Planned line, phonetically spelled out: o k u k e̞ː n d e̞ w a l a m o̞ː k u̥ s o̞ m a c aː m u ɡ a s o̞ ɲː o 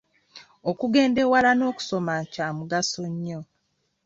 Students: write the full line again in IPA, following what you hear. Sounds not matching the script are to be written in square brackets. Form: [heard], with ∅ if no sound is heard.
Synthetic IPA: o k u [ɡ] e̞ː n d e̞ w a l a [n] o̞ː k u̥ s o̞ m a c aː m u ɡ a s o̞ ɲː o